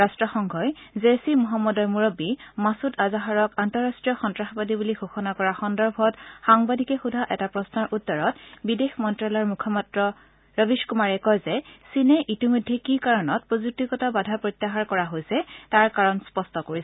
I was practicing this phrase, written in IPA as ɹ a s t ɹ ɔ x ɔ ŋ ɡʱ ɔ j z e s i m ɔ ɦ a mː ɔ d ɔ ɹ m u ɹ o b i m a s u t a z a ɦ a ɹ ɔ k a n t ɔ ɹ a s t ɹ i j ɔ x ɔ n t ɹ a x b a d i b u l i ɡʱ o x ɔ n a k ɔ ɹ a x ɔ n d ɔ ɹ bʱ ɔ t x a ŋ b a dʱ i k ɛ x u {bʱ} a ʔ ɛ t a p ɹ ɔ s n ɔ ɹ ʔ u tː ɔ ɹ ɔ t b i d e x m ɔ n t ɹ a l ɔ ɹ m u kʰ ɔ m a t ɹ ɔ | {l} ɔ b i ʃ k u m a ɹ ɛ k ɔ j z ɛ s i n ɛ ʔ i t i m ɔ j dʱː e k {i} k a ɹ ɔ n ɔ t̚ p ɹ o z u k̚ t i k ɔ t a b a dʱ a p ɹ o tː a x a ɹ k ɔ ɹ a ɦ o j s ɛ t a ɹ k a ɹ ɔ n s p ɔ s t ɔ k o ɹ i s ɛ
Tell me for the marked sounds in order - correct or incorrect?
incorrect, incorrect, correct

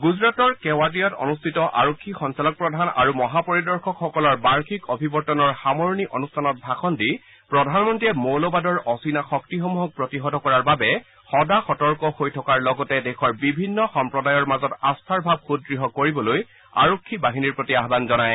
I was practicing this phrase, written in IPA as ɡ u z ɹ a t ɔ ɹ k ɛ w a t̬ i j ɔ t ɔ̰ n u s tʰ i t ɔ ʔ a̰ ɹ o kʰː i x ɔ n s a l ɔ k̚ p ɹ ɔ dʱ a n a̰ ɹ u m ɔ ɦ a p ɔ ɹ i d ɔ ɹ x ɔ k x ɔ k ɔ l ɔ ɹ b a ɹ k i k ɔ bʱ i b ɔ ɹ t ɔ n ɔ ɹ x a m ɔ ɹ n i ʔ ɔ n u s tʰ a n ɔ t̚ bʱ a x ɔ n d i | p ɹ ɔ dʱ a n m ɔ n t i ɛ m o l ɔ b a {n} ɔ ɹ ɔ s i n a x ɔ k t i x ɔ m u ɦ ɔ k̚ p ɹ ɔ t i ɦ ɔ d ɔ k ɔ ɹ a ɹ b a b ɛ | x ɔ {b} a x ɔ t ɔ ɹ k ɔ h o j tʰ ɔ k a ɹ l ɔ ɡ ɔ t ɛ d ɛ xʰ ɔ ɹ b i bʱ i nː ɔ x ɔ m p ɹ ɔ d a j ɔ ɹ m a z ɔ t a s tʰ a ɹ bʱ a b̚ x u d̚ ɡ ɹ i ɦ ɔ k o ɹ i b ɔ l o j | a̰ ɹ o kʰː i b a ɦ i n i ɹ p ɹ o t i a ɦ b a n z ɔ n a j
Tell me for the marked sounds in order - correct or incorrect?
incorrect, incorrect

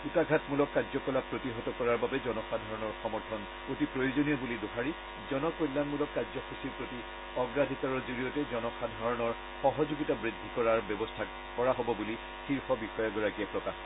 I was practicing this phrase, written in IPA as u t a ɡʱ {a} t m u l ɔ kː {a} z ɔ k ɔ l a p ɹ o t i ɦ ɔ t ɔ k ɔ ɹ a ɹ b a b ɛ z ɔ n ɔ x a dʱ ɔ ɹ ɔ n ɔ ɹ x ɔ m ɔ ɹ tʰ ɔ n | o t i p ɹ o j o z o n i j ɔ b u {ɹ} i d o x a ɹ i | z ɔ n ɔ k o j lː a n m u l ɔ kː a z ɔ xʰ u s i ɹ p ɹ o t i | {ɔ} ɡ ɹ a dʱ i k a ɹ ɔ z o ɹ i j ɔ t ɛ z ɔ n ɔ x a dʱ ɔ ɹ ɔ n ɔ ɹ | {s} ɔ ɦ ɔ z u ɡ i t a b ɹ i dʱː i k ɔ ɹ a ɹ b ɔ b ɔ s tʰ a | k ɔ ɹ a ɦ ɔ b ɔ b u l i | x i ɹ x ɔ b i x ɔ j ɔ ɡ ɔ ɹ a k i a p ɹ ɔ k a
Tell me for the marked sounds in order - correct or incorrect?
correct, correct, incorrect, correct, incorrect

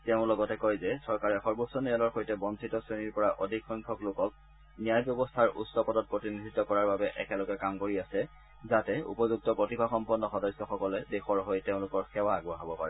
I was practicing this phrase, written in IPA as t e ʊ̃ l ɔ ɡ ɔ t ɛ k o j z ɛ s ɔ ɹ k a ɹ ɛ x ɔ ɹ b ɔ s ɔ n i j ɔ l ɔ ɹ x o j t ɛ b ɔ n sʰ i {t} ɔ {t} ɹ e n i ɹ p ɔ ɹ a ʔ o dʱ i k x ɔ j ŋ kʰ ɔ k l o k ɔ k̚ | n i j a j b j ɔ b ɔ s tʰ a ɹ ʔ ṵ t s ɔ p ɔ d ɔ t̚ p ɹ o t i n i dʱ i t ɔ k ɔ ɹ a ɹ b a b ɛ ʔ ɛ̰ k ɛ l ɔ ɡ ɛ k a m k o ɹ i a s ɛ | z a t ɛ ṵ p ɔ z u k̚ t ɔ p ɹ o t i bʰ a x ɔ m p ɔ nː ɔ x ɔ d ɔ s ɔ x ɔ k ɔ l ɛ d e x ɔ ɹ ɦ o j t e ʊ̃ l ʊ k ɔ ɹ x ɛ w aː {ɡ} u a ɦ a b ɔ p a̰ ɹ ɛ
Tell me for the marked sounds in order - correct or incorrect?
correct, incorrect, correct

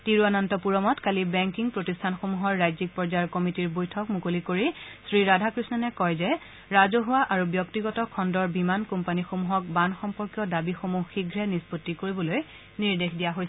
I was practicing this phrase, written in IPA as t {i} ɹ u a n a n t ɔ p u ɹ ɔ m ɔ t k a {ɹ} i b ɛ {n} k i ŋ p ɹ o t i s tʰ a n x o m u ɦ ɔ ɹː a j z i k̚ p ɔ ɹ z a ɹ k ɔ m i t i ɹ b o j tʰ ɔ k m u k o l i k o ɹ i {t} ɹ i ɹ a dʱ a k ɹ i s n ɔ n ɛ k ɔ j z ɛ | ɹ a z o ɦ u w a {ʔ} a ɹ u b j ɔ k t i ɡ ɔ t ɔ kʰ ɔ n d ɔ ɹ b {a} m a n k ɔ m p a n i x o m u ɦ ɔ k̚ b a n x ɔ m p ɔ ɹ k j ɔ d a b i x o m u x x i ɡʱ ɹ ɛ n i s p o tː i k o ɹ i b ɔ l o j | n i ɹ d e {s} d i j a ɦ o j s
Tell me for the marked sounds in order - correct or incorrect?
correct, incorrect, incorrect, incorrect, correct, incorrect, incorrect

